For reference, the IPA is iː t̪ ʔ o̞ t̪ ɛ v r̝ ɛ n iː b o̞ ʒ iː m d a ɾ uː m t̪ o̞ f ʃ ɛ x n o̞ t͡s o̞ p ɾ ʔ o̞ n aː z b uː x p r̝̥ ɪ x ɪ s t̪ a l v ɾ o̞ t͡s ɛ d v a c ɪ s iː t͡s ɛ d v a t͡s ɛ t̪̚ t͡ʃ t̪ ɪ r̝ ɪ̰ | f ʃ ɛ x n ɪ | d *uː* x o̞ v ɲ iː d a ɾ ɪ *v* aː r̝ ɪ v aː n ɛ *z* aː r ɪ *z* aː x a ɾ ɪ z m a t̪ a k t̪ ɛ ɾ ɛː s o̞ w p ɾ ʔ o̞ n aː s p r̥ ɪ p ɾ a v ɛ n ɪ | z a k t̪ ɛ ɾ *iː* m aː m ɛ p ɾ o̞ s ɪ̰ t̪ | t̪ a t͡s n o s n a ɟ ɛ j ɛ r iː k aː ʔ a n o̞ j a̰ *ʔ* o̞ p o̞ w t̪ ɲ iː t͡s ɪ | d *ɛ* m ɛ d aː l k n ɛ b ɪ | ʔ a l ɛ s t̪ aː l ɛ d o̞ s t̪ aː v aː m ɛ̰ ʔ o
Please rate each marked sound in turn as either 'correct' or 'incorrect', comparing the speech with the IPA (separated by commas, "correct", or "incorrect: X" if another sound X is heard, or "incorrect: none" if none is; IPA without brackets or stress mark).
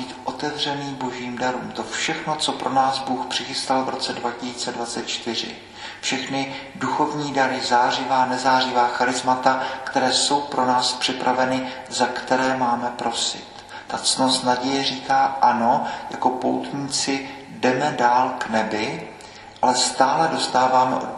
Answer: incorrect: u, incorrect: z, correct, incorrect: v, incorrect: ɛː, incorrect: k, correct